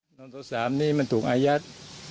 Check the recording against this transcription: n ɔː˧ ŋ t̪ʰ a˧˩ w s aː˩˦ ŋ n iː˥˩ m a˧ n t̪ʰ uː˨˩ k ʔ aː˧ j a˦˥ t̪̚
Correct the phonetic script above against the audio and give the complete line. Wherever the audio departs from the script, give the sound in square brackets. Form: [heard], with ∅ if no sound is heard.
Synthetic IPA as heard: n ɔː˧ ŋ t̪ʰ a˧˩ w s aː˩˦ [m] n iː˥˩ m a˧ n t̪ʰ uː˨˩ k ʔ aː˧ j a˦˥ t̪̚